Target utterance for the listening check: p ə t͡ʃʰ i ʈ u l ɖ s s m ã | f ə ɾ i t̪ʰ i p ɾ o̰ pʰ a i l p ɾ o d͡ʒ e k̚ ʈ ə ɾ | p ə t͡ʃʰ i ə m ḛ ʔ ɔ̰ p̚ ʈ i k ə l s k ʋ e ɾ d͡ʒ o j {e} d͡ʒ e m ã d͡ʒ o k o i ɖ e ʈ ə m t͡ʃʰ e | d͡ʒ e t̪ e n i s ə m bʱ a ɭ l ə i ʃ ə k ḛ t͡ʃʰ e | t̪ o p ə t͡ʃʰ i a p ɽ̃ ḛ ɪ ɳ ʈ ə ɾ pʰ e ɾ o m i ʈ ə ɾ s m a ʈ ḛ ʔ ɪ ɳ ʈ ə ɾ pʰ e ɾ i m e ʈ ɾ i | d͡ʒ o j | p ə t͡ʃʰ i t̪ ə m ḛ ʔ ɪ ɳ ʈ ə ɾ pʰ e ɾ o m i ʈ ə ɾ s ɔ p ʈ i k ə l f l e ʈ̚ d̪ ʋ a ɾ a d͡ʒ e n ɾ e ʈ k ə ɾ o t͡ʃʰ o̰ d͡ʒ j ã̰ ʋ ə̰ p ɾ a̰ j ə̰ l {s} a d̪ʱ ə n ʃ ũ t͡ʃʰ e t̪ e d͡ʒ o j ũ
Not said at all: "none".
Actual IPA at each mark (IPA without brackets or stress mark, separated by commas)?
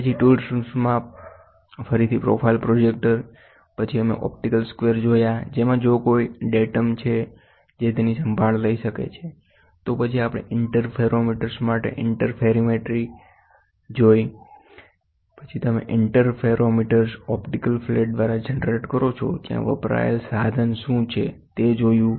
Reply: a, s